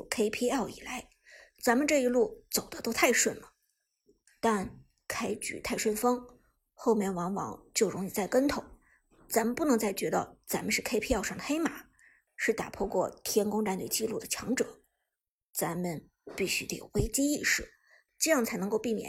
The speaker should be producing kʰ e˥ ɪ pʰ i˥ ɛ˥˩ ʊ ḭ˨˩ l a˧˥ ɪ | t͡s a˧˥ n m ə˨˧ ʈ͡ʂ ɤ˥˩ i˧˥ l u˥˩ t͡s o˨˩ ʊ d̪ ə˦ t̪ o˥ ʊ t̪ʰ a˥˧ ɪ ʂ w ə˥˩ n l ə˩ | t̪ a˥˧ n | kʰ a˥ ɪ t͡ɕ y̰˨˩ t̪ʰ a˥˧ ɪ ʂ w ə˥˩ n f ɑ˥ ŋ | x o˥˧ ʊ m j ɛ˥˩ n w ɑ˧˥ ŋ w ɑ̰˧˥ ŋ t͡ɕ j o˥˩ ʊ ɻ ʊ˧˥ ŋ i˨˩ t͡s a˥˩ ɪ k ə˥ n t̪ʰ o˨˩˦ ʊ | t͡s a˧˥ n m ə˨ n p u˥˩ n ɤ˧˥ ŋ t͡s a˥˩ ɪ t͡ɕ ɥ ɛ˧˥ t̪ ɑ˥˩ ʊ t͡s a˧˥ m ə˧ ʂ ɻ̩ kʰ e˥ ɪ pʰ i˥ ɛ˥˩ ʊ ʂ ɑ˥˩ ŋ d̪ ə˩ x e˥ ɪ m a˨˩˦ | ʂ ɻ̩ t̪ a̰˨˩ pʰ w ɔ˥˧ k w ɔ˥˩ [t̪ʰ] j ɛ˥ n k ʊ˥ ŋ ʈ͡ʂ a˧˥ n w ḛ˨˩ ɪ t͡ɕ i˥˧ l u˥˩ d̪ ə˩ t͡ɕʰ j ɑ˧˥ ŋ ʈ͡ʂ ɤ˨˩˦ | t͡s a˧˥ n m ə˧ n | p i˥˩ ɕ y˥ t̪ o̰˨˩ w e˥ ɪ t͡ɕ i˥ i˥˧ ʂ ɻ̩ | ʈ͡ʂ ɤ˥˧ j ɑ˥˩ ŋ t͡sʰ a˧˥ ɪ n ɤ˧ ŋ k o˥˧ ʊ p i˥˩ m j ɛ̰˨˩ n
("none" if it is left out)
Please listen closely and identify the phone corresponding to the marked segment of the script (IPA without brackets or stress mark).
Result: t̪ʰ